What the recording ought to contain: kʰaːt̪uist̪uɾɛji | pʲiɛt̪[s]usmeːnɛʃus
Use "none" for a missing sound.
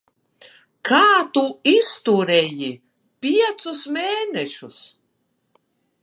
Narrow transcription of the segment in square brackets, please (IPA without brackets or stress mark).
s